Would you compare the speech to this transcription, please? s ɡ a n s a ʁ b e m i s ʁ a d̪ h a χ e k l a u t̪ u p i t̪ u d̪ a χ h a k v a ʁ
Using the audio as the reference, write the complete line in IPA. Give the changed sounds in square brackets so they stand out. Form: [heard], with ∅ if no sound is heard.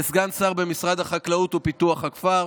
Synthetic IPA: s ɡ a n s a ʁ b e m i s ʁ a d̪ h a χ [a] k l a u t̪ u p i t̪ u [∅] a χ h a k [f] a ʁ